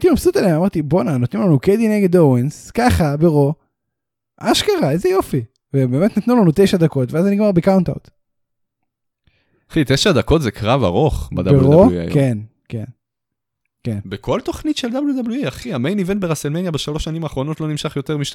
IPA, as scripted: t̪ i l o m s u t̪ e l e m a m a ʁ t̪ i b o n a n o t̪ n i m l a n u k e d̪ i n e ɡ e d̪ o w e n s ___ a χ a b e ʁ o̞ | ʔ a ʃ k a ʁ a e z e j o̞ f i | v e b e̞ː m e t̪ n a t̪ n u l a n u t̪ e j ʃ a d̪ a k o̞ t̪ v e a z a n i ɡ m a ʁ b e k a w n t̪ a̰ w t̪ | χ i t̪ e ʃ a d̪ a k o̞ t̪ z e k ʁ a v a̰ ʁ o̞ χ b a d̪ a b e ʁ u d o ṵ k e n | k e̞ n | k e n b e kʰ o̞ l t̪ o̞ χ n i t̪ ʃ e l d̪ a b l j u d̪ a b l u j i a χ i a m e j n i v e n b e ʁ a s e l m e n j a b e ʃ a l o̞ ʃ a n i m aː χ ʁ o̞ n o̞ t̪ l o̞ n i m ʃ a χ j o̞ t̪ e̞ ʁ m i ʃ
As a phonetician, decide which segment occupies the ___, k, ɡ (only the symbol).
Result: k